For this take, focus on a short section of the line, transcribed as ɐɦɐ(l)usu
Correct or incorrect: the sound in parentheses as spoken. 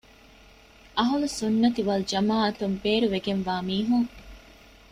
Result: correct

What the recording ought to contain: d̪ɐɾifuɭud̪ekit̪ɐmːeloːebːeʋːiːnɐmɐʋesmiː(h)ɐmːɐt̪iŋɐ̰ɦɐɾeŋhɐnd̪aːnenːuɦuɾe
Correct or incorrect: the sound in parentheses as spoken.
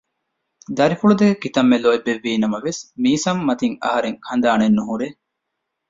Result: incorrect: s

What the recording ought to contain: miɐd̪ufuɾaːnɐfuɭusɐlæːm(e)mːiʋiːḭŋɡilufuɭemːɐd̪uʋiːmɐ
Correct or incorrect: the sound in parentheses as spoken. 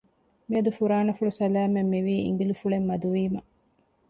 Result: correct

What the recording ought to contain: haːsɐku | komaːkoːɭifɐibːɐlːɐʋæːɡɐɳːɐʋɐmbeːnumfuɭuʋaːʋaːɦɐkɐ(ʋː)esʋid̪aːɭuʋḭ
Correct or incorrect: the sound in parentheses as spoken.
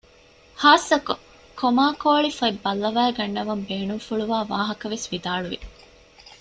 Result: incorrect: ʋ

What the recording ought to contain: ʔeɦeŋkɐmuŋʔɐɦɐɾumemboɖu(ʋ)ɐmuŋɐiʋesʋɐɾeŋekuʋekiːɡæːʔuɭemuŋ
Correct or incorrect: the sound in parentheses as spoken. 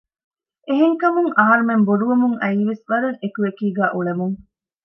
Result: correct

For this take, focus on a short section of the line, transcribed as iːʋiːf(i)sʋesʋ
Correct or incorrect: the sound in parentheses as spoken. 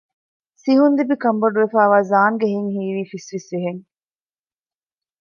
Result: correct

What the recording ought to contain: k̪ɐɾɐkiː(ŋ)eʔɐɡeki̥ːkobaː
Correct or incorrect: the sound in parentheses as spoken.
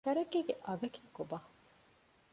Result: incorrect: ɡ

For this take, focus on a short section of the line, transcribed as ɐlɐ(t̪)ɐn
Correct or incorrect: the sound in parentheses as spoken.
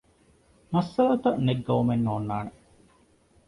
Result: correct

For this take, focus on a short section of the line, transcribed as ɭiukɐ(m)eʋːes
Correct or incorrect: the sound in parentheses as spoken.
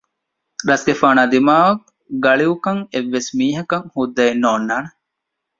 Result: incorrect: ŋ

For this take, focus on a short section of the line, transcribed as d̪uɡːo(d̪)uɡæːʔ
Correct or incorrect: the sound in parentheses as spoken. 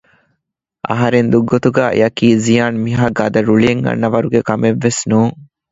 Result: incorrect: t̪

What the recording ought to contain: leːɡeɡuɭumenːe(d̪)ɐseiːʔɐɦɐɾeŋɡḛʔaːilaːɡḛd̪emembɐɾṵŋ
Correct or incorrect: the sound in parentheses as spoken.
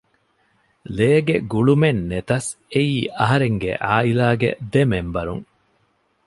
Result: incorrect: t̪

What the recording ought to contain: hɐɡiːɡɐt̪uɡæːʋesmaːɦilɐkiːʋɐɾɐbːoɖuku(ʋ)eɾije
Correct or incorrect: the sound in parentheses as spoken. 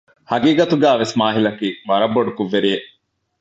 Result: incorrect: ʋː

